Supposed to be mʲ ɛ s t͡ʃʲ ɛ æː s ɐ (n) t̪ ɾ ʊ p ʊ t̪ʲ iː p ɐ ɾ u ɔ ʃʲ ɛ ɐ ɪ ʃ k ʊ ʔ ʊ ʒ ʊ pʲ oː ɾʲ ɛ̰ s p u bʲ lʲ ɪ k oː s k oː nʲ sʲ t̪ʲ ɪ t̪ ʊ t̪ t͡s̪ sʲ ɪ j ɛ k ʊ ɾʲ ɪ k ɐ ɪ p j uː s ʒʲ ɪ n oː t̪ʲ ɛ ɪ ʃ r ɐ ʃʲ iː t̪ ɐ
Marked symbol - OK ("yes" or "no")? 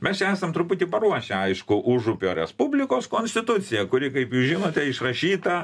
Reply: no